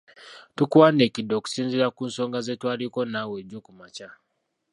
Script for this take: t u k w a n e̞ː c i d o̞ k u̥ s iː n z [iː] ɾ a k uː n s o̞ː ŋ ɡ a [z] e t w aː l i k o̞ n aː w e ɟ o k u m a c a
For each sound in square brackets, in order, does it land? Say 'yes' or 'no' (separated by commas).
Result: no, yes